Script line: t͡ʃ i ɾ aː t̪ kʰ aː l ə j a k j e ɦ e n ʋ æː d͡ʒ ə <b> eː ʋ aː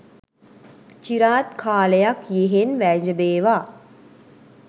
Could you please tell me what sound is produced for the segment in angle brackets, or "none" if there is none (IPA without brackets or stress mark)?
b